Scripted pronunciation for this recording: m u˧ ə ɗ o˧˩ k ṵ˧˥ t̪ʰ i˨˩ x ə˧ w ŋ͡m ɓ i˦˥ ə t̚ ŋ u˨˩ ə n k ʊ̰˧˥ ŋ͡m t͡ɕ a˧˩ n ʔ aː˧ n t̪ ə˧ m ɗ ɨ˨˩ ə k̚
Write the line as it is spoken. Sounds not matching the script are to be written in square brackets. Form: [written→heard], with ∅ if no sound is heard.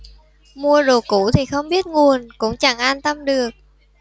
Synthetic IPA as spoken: m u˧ ə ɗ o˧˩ k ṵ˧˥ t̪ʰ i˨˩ x ə˧ w ŋ͡m ɓ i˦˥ ə t̚ ŋ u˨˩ ə n k ʊ̰˧˥ ŋ͡m t͡ɕ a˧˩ [n→ŋ] ʔ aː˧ n t̪ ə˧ m ɗ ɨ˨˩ ə k̚